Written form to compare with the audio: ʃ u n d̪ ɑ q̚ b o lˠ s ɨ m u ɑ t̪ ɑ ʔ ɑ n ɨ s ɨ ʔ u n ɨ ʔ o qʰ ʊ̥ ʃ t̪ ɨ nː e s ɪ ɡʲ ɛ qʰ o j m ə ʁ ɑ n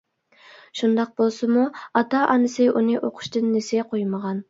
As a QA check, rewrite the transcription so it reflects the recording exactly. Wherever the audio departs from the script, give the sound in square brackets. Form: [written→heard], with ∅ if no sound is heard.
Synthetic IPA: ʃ u n d̪ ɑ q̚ b o lˠ s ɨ m u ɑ t̪ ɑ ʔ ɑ n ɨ s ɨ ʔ u n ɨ ʔ o qʰ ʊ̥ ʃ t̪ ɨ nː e s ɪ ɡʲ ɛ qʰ o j m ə ʁ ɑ n